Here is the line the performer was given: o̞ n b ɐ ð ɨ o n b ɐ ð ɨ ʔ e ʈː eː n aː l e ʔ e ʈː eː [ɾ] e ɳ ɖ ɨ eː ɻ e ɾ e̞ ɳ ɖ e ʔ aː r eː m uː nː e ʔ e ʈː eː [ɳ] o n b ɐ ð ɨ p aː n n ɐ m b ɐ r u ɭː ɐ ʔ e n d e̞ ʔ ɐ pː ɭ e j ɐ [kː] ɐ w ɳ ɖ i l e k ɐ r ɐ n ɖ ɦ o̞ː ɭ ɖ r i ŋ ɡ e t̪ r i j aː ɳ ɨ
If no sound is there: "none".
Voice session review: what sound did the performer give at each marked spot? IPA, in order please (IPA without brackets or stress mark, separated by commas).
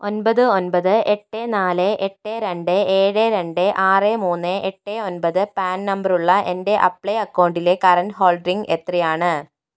ɾ, none, kː